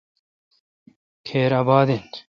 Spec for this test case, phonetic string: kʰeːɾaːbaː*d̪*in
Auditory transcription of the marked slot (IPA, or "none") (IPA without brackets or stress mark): d̪